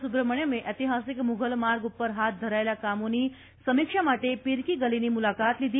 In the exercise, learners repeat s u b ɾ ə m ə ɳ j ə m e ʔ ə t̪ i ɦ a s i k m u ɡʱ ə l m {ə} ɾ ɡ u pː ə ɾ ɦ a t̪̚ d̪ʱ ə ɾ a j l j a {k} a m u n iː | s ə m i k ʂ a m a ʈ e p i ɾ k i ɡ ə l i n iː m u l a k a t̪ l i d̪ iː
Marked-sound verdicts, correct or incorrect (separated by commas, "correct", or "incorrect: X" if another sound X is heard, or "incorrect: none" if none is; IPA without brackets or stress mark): incorrect: a, correct